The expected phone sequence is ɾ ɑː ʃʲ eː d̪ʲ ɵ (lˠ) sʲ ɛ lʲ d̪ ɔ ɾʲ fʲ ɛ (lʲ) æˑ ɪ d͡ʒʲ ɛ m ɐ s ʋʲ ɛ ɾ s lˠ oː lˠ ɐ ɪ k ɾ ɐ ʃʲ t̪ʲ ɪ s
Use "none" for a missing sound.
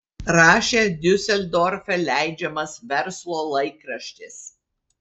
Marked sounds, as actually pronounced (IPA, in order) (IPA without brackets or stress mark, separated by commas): none, lʲ